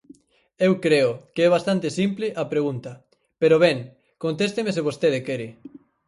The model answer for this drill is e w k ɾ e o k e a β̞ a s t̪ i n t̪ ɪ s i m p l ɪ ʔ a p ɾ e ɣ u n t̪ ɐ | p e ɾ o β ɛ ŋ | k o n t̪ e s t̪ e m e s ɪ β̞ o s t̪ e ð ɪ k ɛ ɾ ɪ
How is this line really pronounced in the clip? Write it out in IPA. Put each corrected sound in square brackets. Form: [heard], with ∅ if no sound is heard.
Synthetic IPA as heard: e w k ɾ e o k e [ɛ] β̞ a s t̪ [a] n t̪ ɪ s i m p l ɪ ʔ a p ɾ e ɣ u n t̪ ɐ | p e ɾ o β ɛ ŋ | k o n t̪ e s t̪ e m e s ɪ β̞ o s t̪ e ð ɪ k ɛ ɾ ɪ